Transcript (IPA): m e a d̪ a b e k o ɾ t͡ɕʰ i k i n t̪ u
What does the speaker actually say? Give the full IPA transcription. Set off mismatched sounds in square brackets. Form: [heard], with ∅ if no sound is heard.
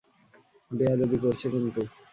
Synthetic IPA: [b] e a d̪ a b [i] k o ɾ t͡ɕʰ [e] k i n t̪ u